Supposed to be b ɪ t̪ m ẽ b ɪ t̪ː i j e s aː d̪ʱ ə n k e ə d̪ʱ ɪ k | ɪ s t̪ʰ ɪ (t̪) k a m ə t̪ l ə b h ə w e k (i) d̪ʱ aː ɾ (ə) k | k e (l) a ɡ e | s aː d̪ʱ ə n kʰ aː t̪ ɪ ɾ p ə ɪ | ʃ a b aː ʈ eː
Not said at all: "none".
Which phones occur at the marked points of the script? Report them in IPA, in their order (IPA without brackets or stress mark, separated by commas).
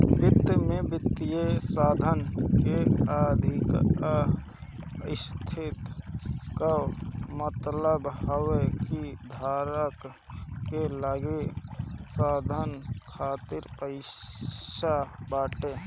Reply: t̪, i, ə, l